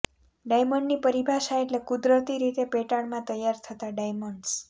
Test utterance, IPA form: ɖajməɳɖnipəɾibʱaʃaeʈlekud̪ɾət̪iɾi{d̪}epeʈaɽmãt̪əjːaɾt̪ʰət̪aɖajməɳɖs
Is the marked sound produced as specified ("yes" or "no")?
no